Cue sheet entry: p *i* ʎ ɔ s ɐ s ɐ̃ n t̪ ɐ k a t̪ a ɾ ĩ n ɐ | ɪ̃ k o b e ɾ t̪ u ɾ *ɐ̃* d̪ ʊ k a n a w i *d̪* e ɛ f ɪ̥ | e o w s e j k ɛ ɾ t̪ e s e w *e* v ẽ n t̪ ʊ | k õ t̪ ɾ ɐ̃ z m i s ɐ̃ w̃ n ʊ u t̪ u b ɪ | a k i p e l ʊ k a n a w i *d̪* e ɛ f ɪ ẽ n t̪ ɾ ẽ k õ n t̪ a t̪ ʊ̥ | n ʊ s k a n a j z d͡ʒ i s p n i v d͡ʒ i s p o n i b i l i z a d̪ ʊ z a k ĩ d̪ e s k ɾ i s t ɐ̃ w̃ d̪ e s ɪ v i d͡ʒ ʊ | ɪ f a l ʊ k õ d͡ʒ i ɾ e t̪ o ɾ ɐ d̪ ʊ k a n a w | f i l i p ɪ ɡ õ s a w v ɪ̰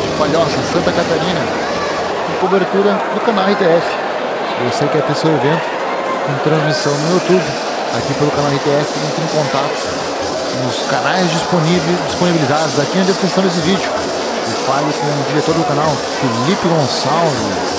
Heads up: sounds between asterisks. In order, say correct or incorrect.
incorrect, incorrect, incorrect, correct, incorrect

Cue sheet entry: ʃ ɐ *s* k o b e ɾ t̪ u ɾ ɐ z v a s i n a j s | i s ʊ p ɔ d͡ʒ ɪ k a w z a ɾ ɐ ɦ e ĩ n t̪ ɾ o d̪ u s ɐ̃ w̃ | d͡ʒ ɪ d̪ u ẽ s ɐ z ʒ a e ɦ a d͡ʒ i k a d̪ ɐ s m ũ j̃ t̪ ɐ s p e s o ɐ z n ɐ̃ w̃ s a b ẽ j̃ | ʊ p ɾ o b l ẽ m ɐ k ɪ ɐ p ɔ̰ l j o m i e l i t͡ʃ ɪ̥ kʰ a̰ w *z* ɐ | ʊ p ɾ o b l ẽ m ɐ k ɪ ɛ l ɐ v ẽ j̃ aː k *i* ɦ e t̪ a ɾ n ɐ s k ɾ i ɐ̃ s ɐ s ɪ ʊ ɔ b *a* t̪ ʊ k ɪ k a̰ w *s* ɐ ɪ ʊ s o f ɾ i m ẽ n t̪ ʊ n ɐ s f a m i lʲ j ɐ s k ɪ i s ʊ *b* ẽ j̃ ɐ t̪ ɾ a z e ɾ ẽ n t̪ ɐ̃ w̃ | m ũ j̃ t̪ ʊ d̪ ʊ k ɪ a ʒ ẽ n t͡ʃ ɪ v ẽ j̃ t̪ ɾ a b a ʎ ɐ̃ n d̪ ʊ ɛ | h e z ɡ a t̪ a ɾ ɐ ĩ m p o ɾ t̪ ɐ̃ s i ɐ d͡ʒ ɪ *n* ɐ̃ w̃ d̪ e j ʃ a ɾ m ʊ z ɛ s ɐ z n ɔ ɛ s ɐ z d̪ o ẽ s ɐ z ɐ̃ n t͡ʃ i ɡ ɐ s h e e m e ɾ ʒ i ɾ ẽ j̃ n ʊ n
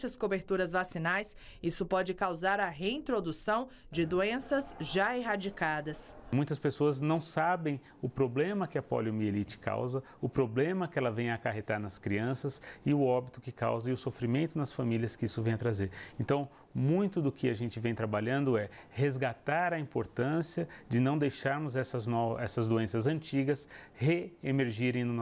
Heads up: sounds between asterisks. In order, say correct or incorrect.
correct, correct, incorrect, incorrect, incorrect, incorrect, correct

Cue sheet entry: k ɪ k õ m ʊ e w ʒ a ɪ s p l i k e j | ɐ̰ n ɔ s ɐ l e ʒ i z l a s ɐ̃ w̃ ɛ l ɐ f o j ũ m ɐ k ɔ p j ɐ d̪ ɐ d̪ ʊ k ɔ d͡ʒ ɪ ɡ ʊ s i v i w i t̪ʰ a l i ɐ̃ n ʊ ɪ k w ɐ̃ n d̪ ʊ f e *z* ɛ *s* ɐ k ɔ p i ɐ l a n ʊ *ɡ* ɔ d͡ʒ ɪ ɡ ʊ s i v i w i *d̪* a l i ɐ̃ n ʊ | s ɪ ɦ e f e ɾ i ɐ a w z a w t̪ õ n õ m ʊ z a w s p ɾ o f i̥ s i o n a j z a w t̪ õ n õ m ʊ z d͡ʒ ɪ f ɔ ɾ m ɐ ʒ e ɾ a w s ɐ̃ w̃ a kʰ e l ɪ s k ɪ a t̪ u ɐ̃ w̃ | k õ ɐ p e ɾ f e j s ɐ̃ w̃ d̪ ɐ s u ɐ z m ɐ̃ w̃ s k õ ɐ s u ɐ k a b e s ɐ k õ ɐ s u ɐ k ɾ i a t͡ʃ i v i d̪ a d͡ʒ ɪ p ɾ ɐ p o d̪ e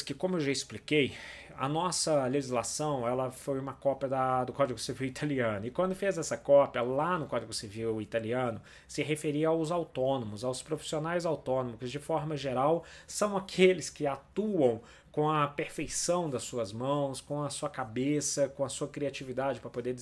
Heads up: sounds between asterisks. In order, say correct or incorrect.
correct, correct, incorrect, incorrect

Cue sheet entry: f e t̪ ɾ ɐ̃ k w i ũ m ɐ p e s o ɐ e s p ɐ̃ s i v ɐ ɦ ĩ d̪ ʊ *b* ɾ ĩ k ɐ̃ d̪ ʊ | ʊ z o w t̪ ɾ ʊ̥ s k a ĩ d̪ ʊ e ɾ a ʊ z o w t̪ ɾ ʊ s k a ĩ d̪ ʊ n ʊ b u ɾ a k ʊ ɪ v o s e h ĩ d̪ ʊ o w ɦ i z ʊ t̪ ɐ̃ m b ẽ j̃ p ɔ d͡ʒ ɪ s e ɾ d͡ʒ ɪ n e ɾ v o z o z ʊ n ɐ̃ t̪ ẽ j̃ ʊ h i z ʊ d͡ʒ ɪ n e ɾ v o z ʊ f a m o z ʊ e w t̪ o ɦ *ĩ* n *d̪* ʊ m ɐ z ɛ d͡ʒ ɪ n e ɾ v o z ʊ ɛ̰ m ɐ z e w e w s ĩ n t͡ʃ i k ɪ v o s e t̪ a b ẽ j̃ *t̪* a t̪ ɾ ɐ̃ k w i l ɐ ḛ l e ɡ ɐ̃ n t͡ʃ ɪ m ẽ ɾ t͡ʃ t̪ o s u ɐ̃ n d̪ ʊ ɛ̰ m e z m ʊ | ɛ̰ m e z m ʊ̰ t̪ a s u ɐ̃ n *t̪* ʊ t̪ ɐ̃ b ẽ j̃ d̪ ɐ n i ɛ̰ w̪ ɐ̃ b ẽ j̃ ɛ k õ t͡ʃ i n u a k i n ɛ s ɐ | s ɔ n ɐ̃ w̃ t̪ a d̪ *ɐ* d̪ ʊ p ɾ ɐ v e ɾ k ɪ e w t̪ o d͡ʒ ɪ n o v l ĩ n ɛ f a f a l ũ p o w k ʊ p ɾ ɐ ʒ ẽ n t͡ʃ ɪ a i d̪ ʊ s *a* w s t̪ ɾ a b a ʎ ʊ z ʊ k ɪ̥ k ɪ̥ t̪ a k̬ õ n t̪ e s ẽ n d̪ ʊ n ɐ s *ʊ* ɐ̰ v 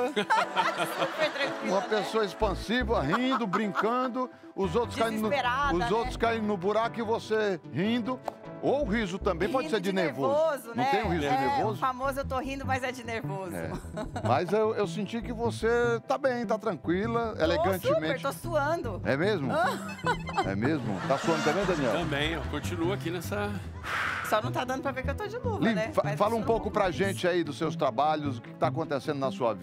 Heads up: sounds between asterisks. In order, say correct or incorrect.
correct, correct, correct, correct, incorrect, incorrect, incorrect, incorrect

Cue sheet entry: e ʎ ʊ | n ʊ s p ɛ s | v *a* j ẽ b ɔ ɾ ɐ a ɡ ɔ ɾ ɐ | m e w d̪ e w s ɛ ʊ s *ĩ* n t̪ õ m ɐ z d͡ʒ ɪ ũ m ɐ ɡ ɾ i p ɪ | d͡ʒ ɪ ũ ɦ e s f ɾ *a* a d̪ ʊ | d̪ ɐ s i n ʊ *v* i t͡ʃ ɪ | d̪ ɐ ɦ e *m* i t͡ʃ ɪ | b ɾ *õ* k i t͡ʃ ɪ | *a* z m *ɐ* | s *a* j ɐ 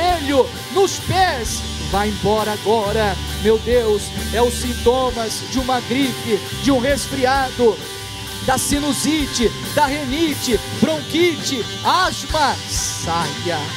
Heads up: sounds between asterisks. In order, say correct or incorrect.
correct, correct, incorrect, incorrect, incorrect, correct, correct, correct, correct

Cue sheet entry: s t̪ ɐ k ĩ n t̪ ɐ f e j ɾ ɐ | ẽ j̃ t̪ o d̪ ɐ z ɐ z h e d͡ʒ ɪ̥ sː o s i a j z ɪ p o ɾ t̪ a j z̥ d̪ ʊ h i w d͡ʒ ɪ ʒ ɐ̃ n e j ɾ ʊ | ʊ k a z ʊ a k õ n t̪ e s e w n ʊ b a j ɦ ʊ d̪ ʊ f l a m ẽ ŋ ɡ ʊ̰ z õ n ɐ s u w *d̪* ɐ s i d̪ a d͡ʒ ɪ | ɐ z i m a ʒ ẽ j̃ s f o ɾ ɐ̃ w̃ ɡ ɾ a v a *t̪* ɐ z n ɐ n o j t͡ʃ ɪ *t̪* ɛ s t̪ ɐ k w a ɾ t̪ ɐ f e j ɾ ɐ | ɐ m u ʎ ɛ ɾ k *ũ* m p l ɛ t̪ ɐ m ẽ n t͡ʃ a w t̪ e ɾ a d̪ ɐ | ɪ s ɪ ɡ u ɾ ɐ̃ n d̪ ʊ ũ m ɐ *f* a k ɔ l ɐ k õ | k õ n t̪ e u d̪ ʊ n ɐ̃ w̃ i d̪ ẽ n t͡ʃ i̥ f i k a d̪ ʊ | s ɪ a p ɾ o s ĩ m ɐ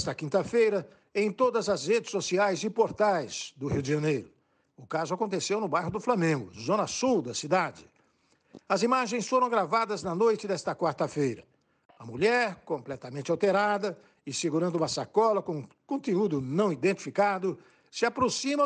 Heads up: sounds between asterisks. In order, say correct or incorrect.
correct, incorrect, incorrect, incorrect, incorrect

